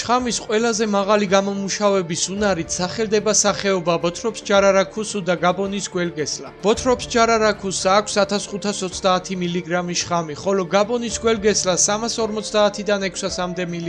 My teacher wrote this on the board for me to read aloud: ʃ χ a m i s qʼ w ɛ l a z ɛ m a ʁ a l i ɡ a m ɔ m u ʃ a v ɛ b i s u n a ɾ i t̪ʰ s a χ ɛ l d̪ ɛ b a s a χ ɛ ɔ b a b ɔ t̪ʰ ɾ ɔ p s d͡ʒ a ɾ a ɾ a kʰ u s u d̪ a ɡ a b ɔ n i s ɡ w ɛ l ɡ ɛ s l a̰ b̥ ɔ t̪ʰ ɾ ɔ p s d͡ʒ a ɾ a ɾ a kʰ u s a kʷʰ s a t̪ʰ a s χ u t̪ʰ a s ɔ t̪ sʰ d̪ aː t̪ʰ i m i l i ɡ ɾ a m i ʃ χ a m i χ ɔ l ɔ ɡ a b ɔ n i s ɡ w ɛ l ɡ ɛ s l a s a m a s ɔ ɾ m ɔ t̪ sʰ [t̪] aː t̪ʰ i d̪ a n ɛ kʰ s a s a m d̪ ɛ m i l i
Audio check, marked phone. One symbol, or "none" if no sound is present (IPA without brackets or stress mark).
d̪